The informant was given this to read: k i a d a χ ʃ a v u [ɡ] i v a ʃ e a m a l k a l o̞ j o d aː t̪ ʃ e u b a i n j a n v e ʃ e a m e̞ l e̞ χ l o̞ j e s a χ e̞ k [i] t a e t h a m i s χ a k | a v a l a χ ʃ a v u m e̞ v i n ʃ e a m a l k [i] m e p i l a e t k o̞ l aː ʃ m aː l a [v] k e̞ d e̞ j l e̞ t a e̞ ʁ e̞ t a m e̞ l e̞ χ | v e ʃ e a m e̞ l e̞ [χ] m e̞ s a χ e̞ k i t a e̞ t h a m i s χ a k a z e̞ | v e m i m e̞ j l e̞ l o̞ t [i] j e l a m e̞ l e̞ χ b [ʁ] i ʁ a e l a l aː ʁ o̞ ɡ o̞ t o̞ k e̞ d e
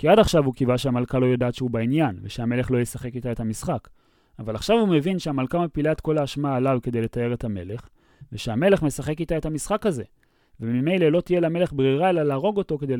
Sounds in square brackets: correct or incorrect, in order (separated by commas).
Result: incorrect, correct, incorrect, correct, correct, correct, correct